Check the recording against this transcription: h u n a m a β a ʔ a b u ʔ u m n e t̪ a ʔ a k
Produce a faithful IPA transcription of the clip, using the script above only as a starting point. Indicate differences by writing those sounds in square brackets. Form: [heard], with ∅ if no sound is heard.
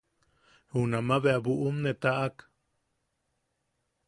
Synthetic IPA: h u n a m a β [e] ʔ a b u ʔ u m n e t̪ a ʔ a k